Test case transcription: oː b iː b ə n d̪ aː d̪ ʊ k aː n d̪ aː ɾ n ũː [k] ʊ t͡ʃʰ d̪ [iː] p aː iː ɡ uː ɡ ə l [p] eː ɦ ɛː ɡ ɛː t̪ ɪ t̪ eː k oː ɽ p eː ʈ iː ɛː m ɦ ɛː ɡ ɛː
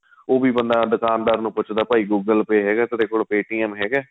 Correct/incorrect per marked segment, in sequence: incorrect: p, incorrect: aː, correct

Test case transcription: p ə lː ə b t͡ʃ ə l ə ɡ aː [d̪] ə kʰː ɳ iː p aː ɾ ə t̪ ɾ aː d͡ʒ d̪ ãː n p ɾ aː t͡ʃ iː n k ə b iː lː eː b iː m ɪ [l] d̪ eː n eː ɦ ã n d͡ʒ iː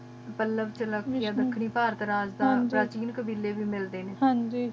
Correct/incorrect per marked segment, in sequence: correct, correct

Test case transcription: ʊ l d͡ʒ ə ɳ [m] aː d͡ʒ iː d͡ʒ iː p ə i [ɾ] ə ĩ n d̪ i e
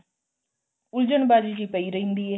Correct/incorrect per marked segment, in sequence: incorrect: b, correct

